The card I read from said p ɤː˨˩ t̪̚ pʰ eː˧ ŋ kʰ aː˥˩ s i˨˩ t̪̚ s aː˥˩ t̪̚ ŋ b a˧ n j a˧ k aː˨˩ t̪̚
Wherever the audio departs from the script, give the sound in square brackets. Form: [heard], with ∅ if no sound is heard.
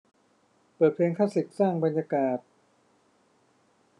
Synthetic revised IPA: p ɤː˨˩ t̪̚ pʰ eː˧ ŋ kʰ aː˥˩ s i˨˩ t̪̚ s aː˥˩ [∅] ŋ b a˧ n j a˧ k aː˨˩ t̪̚

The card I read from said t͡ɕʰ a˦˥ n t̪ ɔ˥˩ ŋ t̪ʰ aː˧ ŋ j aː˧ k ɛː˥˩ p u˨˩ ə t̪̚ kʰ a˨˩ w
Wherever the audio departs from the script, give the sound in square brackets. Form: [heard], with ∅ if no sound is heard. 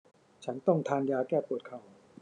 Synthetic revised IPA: t͡ɕʰ a˦˥ n t̪ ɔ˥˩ ŋ t̪ʰ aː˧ [n] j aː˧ k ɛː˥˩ p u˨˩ ə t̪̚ kʰ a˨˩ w

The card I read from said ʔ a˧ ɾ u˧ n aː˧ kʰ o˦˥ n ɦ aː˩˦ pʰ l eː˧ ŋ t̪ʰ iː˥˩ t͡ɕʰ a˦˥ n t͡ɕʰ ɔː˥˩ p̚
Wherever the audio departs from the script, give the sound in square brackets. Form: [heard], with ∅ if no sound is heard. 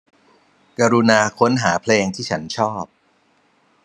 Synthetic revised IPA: [k] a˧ ɾ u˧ n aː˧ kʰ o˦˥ n ɦ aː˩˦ pʰ l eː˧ ŋ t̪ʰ iː˥˩ t͡ɕʰ a˦˥ n t͡ɕʰ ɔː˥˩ p̚

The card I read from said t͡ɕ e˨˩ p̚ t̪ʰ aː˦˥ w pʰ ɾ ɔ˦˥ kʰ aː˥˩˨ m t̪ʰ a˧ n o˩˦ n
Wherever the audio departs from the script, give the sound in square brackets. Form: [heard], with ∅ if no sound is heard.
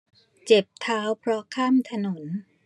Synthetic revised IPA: t͡ɕ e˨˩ p̚ t̪ʰ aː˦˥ w pʰ ɾ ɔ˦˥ kʰ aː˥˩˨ m t̪ʰ a˧ n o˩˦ n

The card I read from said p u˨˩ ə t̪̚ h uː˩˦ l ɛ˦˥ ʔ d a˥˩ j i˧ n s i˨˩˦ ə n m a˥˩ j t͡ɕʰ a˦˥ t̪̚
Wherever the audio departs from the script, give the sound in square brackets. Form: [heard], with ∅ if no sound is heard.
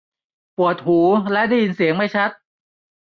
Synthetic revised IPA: p u˨˩ ə t̪̚ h uː˩˦ l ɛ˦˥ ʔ d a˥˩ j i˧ n s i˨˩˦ ə [ŋ] m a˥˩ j t͡ɕʰ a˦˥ t̪̚

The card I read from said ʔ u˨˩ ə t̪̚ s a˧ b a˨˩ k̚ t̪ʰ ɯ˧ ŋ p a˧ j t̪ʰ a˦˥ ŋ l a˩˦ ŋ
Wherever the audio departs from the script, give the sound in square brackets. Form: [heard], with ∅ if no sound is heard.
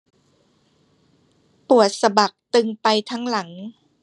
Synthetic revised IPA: [p] u˨˩ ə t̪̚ s a˧ b a˨˩ k̚ [t̪] ɯ˧ ŋ p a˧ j t̪ʰ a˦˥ ŋ l a˩˦ ŋ

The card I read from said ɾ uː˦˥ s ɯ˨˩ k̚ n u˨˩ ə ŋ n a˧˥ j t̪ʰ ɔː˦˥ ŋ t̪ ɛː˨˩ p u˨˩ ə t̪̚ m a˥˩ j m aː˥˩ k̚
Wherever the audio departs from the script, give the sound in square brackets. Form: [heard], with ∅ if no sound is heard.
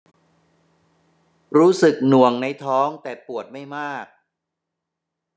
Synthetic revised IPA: ɾ uː˦˥ s ɯ˨˩ k̚ n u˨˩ ə ŋ n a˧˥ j t̪ʰ ɔː˦˥ ŋ t̪ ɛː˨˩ p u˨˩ ə t̪̚ m a˥˩ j m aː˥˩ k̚

